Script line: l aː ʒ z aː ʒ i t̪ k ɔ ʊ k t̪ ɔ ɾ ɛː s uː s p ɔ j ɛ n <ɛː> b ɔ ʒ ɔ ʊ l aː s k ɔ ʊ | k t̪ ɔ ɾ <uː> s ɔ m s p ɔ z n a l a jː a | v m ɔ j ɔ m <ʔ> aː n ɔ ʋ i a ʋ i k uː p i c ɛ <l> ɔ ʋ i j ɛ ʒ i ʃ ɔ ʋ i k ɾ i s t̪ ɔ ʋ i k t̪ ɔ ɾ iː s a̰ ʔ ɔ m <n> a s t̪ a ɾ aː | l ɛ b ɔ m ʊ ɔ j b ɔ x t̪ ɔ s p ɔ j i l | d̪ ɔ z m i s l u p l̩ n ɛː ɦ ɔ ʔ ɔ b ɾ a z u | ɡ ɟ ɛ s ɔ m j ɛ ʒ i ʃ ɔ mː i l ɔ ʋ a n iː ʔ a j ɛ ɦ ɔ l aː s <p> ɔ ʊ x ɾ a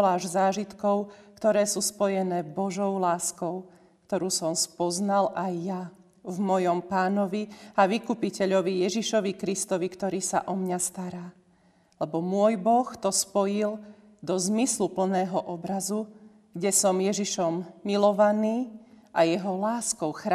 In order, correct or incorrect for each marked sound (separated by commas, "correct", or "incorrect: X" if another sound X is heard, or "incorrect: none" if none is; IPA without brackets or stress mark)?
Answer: correct, correct, incorrect: p, incorrect: ʎ, incorrect: ɲ, incorrect: k